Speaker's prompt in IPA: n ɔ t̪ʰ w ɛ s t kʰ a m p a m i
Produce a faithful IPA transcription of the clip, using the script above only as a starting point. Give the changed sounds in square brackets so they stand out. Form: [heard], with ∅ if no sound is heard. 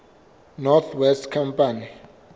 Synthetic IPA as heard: n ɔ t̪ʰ w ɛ s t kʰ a m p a [n] i